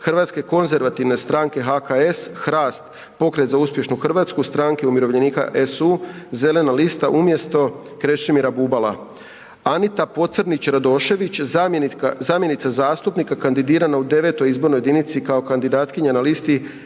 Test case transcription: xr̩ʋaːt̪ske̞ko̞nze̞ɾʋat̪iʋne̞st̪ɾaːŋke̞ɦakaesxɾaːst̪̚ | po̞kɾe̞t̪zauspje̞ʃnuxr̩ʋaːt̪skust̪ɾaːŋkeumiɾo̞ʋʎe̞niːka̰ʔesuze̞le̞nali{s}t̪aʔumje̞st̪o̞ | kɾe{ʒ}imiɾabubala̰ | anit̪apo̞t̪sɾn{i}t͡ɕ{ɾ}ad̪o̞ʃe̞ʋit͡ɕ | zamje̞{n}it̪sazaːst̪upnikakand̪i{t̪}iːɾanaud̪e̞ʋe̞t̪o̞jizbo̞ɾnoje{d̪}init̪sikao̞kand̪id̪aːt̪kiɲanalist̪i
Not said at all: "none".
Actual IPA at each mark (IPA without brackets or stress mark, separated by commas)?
s, ʃ, i, ɾ, n, d̪, d̪